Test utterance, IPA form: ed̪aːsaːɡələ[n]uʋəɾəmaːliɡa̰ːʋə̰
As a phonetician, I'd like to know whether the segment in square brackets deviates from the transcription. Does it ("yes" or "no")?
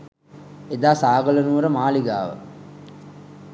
no